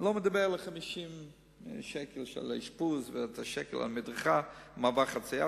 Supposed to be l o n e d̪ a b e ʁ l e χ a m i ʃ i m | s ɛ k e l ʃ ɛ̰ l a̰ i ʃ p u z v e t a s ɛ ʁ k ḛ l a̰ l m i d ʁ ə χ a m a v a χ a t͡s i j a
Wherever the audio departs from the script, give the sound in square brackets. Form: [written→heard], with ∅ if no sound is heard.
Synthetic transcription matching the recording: l o [n→m] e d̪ a b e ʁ l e χ a m i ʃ i m | [s→ʃ] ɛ k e l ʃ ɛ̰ l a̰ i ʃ p u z v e t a [s→ʃ] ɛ [ʁ→∅] k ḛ l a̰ l m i d ʁ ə χ a m a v a χ a t͡s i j a

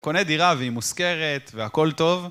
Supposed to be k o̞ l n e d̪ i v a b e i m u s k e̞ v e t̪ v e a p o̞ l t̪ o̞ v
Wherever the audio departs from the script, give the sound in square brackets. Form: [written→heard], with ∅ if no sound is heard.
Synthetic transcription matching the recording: k o̞ [l→∅] n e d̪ i [v→ʁ] a [b→v] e i m u s k e̞ [v→ʁ] e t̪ v e a [p→k] o̞ l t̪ o̞ v

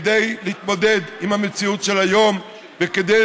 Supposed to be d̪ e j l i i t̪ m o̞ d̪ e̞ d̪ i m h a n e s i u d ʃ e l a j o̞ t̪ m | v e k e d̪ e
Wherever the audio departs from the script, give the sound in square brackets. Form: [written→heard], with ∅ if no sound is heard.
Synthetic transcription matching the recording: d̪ e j l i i t̪ m o̞ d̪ e̞ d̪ i m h a [n→m] e [s→t͡s] i u [d→t] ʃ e l a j o̞ [t̪→∅] m | v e k e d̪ e

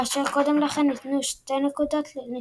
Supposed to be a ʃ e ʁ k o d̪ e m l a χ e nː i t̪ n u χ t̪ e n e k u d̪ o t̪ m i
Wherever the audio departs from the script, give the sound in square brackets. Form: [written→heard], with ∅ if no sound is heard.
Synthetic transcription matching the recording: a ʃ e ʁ k o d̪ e m l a χ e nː i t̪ n u [χ→ʃ] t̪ e n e k u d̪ o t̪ [m→n] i

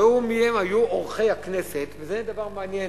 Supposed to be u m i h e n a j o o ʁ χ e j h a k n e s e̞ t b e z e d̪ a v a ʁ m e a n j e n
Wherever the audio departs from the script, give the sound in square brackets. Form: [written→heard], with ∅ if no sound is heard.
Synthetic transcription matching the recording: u m i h e [n→m] a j [o→u] o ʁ χ e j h a k n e s e̞ t [b→v] e z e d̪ a v a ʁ m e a n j e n

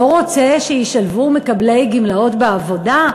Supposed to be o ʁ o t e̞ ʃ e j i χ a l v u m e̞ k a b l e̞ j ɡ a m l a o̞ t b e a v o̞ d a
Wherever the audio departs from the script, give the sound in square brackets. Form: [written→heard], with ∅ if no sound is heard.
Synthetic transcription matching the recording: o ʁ o [t→t͡s] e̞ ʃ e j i [χ→ʃ] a l v u m e̞ k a b l e̞ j ɡ [a→i] m l a o̞ t b e a v o̞ d a

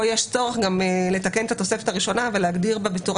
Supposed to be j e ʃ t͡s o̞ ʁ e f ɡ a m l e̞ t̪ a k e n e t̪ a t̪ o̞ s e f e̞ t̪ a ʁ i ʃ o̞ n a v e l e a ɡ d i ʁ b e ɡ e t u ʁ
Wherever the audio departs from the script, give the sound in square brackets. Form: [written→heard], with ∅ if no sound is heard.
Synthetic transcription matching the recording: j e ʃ t͡s o̞ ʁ e [f→χ] ɡ a m l e̞ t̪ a k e n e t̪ a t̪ o̞ s e f e̞ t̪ a ʁ i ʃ o̞ n a v e l e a ɡ d i ʁ b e [ɡ→b] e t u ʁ

